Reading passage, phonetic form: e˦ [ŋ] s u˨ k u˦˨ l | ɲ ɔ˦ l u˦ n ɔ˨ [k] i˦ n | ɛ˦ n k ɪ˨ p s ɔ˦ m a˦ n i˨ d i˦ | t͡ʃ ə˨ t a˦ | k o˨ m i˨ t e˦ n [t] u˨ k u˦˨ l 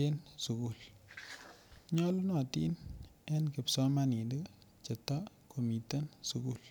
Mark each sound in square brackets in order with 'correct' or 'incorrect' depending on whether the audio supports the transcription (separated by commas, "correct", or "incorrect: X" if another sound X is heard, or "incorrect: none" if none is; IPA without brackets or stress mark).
incorrect: n, incorrect: t, incorrect: s